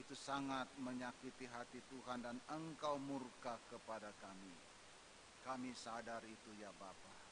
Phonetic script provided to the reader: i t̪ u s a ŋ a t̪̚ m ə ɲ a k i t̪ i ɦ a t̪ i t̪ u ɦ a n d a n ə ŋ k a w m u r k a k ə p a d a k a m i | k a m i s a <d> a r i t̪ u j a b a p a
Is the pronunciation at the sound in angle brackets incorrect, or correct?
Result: correct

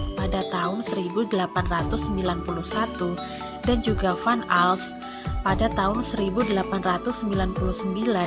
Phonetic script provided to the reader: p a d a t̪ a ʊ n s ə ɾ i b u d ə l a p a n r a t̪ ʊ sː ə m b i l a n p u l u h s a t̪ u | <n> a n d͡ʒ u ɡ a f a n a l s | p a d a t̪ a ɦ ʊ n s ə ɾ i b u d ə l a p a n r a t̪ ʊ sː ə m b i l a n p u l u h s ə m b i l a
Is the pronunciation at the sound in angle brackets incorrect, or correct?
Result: incorrect: d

